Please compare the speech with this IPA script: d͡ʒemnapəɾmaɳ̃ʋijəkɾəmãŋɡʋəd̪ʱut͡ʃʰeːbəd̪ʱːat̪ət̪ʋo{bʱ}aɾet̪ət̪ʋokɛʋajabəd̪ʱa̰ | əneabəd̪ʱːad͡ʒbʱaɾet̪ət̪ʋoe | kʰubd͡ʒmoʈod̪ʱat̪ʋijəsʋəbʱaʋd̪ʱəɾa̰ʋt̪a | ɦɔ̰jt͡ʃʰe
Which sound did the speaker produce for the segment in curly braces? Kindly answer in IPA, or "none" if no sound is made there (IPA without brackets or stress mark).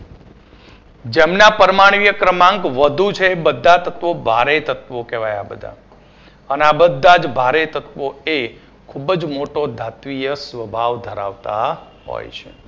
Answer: bʱ